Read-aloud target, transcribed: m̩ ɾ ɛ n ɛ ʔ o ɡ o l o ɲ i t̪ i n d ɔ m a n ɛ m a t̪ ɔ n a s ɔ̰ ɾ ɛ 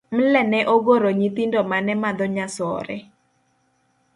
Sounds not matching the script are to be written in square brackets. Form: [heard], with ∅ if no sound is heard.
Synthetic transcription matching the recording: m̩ [l] ɛ n ɛ ʔ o ɡ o [ɾ] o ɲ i t̪ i n d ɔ m a n ɛ m a [d̪] ɔ [ɲ] a s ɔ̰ ɾ ɛ